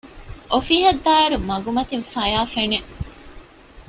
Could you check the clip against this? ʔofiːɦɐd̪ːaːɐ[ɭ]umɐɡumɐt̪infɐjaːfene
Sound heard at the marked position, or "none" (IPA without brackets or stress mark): ɾ